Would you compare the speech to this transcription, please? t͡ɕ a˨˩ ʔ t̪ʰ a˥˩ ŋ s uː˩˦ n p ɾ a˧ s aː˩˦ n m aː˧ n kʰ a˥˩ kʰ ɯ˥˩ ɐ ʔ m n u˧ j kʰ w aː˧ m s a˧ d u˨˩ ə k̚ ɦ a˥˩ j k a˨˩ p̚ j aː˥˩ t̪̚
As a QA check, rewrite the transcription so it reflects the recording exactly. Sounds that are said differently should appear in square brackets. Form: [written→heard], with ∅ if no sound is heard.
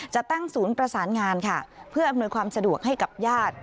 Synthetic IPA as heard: t͡ɕ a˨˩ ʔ [t̪ʰ→t̪] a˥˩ ŋ s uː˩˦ n p ɾ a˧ s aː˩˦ n [m→ŋ] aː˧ n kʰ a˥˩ [kʰ→pʰ] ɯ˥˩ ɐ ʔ m n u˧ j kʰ w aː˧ m s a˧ d u˨˩ ə k̚ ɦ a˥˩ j k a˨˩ p̚ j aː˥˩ t̪̚